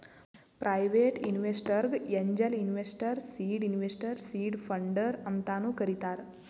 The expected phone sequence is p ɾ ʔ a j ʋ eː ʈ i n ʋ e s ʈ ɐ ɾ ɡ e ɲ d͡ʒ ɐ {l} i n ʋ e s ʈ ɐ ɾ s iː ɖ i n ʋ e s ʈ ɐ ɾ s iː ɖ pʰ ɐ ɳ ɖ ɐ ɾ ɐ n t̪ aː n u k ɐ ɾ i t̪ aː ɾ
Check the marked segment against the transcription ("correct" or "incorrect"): correct